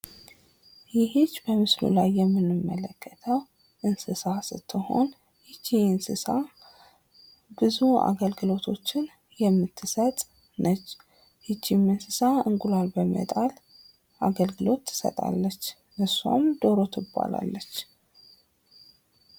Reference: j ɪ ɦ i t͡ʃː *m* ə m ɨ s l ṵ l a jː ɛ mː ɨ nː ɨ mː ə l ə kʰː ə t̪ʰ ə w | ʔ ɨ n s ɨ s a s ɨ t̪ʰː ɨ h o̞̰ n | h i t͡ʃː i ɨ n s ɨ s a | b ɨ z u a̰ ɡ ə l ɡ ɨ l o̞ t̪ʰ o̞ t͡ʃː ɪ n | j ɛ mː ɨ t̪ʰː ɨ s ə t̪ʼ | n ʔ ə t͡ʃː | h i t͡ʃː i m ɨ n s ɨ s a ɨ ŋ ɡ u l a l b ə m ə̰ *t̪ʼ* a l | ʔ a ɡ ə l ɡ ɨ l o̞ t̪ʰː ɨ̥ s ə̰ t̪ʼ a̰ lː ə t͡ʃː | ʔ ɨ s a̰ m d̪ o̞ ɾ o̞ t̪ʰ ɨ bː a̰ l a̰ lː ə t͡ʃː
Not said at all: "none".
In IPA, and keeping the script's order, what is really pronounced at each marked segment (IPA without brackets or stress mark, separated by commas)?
b, t̪ʼ